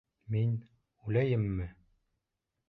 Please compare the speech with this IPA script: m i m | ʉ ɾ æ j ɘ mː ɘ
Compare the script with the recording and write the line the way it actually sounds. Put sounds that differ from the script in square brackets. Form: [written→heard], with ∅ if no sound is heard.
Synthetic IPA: m i [m→n] | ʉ [ɾ→l] æ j ɘ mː ɘ